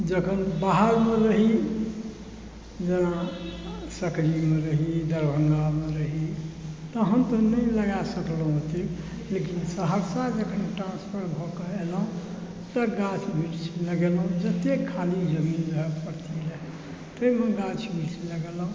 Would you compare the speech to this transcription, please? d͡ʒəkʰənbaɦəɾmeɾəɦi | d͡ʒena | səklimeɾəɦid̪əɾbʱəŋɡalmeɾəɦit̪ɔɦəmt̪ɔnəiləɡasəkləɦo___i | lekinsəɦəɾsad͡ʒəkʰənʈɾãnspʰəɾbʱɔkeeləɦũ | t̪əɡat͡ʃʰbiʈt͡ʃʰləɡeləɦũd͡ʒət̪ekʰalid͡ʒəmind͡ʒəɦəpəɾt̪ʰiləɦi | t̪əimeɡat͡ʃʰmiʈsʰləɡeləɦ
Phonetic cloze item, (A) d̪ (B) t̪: B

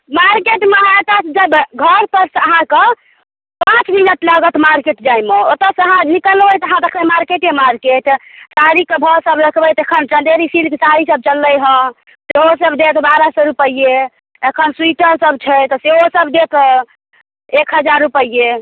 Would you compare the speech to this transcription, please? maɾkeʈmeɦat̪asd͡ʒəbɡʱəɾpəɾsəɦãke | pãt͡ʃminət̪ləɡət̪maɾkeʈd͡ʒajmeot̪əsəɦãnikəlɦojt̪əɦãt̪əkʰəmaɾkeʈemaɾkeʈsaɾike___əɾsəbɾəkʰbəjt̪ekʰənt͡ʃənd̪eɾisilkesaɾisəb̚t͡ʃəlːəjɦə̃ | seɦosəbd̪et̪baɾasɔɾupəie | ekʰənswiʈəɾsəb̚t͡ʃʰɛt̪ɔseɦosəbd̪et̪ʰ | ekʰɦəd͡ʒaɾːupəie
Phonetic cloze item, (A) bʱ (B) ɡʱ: A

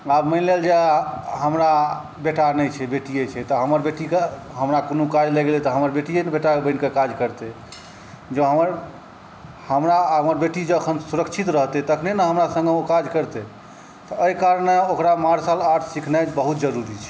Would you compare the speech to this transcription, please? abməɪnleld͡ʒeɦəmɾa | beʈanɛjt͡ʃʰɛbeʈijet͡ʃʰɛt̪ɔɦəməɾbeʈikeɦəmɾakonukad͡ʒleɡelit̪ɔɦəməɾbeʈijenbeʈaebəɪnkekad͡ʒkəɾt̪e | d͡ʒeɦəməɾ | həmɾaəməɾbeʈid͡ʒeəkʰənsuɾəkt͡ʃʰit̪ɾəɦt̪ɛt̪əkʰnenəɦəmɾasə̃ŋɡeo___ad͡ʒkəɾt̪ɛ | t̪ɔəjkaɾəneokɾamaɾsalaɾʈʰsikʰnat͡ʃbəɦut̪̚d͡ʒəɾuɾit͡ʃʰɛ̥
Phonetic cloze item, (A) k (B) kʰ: A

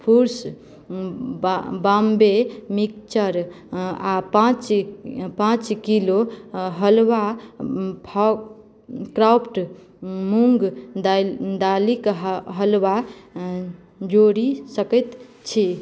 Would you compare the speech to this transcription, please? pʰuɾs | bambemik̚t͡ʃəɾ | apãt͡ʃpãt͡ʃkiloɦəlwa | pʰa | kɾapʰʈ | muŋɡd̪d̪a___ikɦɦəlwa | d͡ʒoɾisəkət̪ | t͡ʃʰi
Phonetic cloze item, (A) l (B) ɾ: A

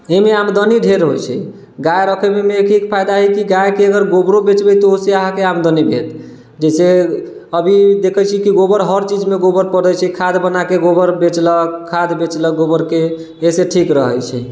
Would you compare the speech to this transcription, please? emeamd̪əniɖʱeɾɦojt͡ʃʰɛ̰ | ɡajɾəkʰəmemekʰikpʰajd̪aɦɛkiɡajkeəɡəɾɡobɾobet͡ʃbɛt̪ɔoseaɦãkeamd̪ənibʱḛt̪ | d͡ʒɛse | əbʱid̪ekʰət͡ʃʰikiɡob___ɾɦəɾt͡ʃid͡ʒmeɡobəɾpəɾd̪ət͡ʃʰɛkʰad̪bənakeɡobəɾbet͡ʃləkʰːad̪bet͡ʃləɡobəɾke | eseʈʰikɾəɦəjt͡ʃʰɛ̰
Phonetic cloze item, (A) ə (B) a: A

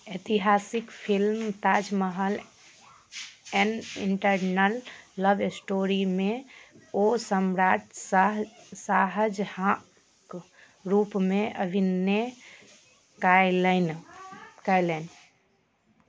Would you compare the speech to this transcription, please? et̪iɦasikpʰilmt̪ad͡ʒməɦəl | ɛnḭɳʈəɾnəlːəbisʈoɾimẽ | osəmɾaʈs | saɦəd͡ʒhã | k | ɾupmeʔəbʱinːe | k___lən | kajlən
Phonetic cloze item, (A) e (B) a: B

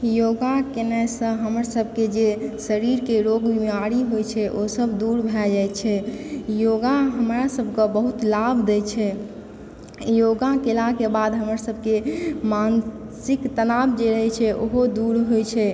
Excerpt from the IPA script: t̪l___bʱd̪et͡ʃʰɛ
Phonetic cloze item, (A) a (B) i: A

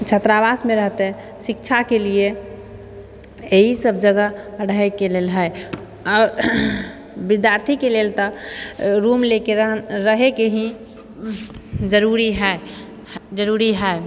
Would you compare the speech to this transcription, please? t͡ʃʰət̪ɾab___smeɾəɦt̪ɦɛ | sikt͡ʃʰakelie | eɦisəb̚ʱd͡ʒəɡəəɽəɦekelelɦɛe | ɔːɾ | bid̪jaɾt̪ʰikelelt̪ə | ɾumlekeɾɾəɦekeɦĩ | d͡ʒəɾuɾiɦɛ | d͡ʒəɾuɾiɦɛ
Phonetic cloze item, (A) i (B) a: B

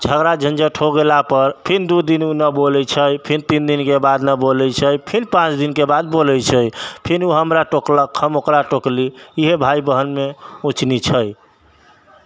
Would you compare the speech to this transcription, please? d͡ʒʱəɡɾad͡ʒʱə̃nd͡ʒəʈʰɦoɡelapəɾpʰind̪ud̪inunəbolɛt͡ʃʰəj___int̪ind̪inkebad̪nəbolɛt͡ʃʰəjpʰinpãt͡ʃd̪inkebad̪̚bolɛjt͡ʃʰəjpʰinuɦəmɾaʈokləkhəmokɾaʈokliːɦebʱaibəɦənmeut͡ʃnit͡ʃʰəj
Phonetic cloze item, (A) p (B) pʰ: B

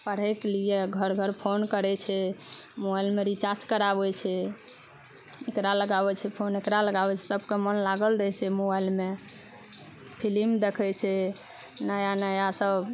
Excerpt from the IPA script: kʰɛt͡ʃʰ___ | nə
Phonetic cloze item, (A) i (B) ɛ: B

